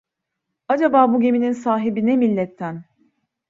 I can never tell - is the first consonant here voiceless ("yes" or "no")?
no